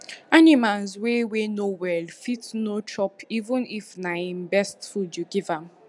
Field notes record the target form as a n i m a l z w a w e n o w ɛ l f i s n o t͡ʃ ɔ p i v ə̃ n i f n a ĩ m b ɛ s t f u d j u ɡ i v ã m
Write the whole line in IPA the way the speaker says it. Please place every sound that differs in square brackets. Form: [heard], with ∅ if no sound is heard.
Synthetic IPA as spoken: a n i m a l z w [e] w e n o w ɛ l f i [t] n o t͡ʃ ɔ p i v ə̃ n i f n a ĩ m b ɛ s t f u d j u ɡ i v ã m